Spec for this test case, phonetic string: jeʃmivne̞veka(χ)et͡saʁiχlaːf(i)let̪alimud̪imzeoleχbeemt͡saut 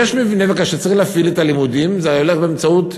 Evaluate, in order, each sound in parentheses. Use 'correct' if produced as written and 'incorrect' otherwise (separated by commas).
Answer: incorrect, correct